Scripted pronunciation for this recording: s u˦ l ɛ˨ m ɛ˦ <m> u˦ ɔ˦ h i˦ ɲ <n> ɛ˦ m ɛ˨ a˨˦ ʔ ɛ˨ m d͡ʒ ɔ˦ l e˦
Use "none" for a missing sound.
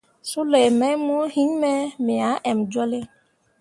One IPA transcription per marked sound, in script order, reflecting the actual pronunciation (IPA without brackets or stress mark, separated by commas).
m, m